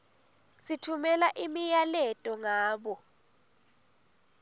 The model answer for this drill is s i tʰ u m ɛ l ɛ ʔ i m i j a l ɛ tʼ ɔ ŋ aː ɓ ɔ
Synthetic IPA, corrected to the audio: s i tʰ u m ɛ l a ʔ i m i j a l ɛ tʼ ɔ ŋ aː ɓ ɔ